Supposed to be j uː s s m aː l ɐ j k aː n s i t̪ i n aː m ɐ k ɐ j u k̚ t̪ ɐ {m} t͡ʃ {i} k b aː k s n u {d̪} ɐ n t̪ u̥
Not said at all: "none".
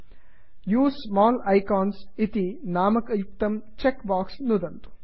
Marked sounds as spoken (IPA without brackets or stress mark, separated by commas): m, e, d̪